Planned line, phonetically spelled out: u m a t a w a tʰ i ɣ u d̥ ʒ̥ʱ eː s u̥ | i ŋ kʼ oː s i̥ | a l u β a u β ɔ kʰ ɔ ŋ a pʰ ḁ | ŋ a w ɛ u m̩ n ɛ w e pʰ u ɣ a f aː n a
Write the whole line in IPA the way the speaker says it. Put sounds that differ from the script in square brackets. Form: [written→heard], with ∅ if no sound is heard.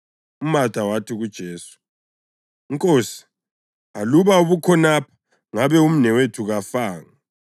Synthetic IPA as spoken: u m a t a w a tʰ i ɣ u d̥ ʒ̥ʱ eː s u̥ | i ŋ kʼ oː s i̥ | a l u β a u β [ɔ→u] kʰ ɔ [ŋ→n] a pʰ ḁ | ŋ a [w→β] ɛ u m̩ n ɛ w e [pʰ→tʰ] u ɣ a f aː [n→ŋ] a

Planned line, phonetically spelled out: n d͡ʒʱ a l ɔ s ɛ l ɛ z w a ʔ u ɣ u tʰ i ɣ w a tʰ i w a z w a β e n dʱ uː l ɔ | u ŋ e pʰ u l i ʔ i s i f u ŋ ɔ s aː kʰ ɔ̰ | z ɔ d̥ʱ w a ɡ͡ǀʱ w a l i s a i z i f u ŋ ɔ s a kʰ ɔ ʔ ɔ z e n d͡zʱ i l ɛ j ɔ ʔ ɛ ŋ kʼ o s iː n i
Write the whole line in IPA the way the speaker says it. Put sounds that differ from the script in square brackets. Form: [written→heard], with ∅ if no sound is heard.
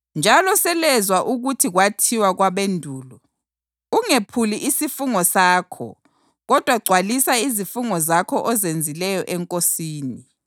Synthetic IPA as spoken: n d͡ʒʱ a l ɔ s ɛ l ɛ z w a ʔ u ɣ u tʰ i ɣ w a tʰ i w a [z→ɣ] w a β e n dʱ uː l ɔ | u ŋ e pʰ u l i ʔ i s i f u ŋ ɔ s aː kʰ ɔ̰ | [z→ɣ] ɔ d̥ʱ w a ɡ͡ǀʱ w a l i s a i z i f u ŋ ɔ [s→z] a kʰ ɔ ʔ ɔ z e n d͡zʱ i l ɛ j ɔ ʔ ɛ ŋ kʼ o s iː n i

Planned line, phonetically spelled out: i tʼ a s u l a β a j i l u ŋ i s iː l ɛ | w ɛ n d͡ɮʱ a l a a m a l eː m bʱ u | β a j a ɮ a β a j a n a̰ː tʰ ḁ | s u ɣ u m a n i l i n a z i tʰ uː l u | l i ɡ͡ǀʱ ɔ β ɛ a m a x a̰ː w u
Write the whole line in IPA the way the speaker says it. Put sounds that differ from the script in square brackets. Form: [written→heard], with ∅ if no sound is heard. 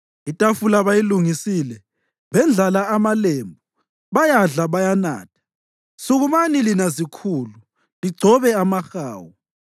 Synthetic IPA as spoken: i tʼ a [s→f] u l a β a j i l u ŋ i s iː l ɛ | [w→β] ɛ n d͡ɮʱ a l a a m a l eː m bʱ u | β a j a ɮ a β a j a n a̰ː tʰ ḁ | s u ɣ u m a n i l i n a z i [tʰ→kʰ] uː l u | l i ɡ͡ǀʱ ɔ β ɛ a m a x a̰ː w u

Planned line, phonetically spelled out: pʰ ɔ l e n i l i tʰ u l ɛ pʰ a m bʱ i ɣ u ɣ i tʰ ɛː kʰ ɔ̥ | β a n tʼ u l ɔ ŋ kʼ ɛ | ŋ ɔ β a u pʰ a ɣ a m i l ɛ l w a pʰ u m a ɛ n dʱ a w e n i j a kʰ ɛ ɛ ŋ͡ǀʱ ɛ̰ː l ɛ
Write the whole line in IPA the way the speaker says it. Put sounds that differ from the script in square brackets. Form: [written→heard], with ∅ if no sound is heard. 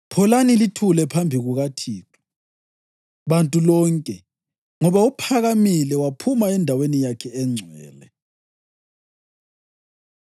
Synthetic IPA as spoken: pʰ ɔ l [e→a] n i l i tʰ u l ɛ pʰ a m bʱ i ɣ u ɣ [i→a] tʰ [ɛː→iː] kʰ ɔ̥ | β a n tʼ u l ɔ ŋ kʼ ɛ | ŋ ɔ β a u pʰ a ɣ a m i l ɛ [l→∅] w a pʰ u m a ɛ n dʱ a w e n i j a kʰ ɛ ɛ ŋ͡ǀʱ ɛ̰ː l ɛ

